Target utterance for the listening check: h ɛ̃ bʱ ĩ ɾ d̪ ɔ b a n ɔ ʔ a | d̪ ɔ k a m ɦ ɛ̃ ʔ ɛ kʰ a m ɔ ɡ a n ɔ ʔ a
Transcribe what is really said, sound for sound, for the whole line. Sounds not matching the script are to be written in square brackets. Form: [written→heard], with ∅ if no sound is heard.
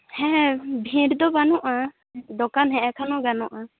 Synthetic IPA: h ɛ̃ bʱ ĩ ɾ d̪ ɔ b a n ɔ ʔ a | d̪ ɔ k a [m→n] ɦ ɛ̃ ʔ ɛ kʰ a [m→n] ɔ ɡ a n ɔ ʔ a